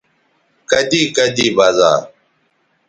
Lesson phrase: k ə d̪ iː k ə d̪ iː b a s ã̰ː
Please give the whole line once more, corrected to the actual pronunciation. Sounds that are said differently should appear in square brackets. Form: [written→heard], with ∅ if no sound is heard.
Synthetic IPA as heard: k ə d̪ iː k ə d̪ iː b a [s→z] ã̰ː